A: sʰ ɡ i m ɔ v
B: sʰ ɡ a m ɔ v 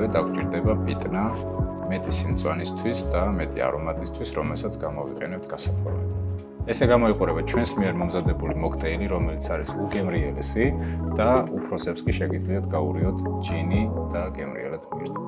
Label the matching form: B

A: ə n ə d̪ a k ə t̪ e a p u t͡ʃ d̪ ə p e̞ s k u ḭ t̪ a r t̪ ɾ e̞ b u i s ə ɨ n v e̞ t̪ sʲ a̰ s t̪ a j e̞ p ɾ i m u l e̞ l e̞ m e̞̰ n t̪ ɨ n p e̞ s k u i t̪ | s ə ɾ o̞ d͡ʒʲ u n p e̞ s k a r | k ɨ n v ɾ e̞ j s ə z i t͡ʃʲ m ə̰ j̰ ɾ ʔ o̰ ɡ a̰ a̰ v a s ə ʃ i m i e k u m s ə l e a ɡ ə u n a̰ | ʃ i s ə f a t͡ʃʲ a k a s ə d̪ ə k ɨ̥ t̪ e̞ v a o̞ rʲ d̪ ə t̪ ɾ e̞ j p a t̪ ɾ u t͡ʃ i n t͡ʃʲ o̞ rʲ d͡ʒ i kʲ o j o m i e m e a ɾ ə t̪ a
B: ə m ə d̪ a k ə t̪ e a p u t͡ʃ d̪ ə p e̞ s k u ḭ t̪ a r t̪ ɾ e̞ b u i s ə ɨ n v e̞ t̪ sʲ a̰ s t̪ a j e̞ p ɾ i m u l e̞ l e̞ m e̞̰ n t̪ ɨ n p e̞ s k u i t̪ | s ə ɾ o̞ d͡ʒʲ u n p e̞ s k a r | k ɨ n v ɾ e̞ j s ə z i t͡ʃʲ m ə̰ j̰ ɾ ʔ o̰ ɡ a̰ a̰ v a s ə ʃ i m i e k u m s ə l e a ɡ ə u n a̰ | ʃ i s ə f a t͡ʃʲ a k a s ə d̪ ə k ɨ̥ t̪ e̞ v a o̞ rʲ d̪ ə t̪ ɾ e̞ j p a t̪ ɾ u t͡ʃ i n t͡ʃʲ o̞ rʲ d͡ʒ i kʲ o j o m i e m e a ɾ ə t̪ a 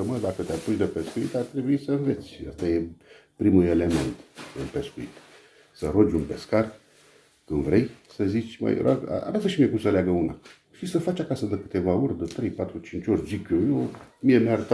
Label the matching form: B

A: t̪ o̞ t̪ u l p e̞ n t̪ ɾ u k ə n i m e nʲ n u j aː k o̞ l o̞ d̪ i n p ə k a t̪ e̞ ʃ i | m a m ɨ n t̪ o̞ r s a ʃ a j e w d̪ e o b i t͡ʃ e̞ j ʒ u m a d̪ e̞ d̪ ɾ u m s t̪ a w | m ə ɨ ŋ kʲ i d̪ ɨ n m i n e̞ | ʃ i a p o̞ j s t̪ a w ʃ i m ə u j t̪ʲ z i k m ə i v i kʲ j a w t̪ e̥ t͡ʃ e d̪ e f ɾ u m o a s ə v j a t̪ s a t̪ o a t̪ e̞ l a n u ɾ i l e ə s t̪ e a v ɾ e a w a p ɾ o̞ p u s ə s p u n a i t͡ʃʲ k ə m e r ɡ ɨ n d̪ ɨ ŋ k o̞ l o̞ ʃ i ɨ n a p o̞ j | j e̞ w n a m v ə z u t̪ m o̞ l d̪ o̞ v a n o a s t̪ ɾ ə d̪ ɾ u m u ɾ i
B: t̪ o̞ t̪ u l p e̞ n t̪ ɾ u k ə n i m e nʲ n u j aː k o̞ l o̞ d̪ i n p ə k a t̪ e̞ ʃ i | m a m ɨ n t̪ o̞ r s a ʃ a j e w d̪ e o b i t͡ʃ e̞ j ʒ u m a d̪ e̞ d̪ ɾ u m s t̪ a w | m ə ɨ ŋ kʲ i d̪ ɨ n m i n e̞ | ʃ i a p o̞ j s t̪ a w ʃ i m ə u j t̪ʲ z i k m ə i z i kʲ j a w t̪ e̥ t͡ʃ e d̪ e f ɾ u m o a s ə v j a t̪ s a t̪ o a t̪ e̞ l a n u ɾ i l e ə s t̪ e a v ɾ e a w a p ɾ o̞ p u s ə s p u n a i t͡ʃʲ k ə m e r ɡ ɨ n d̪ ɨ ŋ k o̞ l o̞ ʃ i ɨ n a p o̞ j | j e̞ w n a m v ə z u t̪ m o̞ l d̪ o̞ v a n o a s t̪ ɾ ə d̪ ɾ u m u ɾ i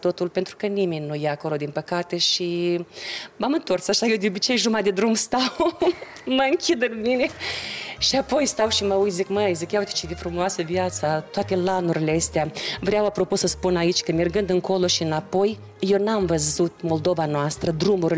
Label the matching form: B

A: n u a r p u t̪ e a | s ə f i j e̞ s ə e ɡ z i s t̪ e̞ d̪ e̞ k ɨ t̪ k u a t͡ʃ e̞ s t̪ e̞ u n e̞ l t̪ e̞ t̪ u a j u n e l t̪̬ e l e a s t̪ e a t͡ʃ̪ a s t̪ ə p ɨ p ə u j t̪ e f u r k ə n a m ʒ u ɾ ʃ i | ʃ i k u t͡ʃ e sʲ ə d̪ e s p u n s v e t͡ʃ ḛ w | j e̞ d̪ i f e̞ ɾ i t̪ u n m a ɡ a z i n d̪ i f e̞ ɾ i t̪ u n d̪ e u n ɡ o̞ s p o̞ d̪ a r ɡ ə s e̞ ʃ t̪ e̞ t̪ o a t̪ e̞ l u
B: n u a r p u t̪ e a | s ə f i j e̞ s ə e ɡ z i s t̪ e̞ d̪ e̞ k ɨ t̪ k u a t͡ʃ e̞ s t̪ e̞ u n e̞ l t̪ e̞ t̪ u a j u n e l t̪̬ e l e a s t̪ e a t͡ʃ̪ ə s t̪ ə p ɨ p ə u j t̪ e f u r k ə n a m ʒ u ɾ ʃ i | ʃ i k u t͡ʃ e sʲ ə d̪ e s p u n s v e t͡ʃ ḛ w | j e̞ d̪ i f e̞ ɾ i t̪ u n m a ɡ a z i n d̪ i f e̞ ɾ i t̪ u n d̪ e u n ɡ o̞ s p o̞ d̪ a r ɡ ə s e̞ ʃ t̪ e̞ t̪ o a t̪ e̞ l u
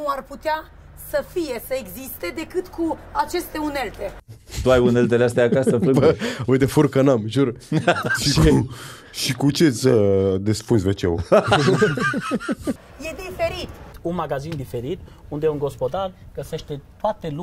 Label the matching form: A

